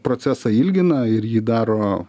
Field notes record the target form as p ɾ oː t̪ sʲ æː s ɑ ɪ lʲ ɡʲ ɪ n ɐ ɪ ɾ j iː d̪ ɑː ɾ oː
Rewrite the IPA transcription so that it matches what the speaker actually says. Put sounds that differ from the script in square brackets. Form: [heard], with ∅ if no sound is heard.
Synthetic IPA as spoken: p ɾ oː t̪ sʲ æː s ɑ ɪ lʲ ɡʲ ɪ n ɐ ɪ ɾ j iː d̪ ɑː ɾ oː